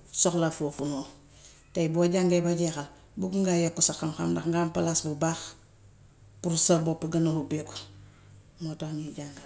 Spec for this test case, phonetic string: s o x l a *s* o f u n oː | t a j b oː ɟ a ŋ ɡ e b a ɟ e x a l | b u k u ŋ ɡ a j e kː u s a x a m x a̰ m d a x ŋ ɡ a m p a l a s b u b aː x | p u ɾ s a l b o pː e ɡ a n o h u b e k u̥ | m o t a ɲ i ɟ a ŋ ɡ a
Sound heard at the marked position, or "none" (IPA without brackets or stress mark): f